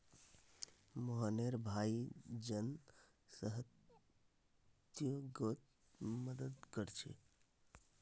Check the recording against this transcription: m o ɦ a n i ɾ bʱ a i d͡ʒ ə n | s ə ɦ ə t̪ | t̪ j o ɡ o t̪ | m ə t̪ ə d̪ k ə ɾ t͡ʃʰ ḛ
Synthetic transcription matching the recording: m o ɦ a n e ɾ bʱ a i d͡ʒ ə n | s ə ɦ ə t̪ | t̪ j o ɡ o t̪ | m ə d̪ ə d̪ k ə ɾ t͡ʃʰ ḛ